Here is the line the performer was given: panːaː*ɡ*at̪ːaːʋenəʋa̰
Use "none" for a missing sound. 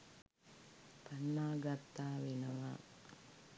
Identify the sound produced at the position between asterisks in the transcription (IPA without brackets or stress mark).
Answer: ɡ